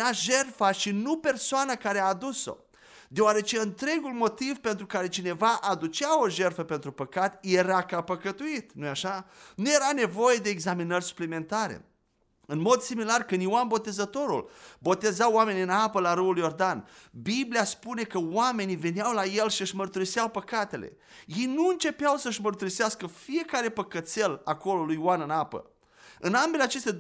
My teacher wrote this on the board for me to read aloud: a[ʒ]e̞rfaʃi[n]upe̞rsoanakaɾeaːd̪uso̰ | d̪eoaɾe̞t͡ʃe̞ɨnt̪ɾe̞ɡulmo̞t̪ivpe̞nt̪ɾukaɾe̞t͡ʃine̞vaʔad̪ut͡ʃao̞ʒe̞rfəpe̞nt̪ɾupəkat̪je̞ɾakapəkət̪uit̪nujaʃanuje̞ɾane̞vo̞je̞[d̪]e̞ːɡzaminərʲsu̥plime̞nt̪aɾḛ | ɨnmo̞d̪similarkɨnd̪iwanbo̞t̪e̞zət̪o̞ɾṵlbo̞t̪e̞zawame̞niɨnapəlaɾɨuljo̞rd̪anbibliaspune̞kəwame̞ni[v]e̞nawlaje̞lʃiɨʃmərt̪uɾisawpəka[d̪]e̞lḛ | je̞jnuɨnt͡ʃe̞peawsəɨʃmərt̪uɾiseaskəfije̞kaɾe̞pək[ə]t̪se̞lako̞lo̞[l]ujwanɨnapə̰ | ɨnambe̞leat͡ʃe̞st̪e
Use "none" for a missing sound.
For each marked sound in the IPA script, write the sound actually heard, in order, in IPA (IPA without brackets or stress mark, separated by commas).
ʒ, n, d̪, v, t̪, ə, l